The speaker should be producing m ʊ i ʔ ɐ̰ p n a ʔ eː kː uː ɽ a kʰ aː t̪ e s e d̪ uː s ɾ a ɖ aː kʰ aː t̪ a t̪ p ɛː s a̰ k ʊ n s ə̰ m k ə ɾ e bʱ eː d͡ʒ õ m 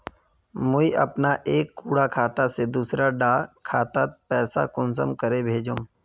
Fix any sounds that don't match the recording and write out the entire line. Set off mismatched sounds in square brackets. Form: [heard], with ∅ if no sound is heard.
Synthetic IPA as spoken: m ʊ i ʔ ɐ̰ p n a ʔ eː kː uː ɽ a kʰ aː t̪ [a] s e d̪ uː s ɾ a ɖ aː kʰ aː t̪ a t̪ p ɛː s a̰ k ʊ n s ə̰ m k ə ɾ e bʱ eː d͡ʒ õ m